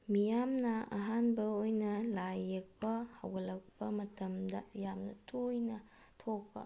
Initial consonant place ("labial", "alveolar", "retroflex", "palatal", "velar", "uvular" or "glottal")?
labial